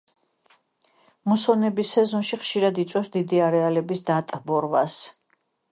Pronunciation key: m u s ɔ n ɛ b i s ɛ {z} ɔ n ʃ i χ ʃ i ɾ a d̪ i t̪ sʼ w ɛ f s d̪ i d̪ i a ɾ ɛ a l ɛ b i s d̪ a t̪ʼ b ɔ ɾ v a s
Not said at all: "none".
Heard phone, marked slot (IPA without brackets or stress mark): z